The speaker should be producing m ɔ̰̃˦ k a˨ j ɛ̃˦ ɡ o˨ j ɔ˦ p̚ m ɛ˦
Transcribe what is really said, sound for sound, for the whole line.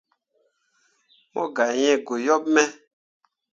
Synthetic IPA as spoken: m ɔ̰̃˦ ɡ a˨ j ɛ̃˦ ɡ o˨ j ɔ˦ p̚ m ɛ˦